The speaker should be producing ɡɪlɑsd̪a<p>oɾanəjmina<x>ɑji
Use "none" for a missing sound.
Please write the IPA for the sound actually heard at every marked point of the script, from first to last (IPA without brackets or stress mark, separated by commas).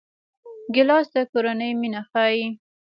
k, x